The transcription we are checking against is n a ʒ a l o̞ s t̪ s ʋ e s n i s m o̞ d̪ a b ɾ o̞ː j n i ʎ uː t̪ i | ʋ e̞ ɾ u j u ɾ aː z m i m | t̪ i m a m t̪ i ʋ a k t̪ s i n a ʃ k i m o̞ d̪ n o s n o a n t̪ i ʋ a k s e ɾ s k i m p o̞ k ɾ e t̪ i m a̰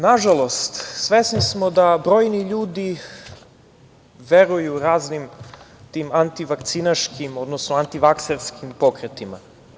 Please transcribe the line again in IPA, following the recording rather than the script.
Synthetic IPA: n a ʒ a l o̞ s t̪ s ʋ e s n i s m o̞ d̪ a b ɾ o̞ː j n i ʎ uː d̪ i | ʋ e̞ ɾ u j u ɾ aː z n i m | t̪ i m a n t̪ i ʋ a k t̪ s i n a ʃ k i m o̞ d̪ n o s n o a n t̪ i ʋ a k s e ɾ s k i m p o̞ k ɾ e t̪ i m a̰